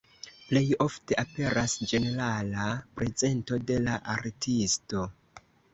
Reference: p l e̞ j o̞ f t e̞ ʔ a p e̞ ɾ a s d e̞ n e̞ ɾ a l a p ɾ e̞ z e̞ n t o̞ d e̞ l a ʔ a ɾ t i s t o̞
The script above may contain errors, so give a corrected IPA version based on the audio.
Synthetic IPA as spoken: p l e̞ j o̞ f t e̞ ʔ a p e̞ ɾ a s d͡ʒ e̞ n e̞ ɾ a l a p ɾ e̞ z e̞ n t o̞ d e̞ l a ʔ a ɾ t i s t o̞